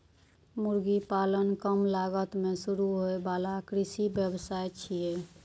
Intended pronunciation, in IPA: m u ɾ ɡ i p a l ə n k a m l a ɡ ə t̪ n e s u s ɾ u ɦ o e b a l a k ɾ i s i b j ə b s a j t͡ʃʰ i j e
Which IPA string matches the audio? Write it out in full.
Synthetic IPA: m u ɾ ɡ i p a l ə n k ə m l a ɡ ə t̪ m e s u ɾ u ɦ o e b a l a k ɾ i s i b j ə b s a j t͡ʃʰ i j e